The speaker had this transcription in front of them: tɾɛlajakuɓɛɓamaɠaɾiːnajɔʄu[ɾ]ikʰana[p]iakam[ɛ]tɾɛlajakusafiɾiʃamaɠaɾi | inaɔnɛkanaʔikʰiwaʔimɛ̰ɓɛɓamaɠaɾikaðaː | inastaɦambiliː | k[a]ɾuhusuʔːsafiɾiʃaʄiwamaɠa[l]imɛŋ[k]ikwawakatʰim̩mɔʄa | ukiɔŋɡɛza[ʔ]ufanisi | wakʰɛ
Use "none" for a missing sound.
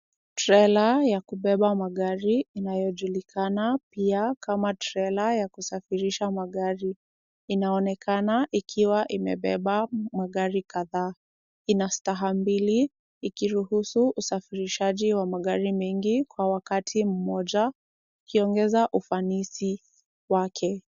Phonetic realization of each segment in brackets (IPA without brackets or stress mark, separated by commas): l, p, a, i, ɾ, ɡ, ʔ